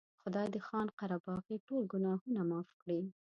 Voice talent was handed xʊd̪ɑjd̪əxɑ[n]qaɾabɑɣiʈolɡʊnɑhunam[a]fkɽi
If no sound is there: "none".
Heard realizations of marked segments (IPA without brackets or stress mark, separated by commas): n, ɑ